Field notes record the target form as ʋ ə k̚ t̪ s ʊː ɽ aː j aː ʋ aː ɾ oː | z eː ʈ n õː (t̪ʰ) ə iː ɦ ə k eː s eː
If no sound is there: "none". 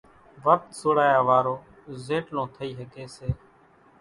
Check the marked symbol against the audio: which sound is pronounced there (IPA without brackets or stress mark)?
t̪ʰ